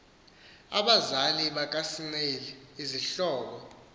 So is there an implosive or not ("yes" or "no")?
yes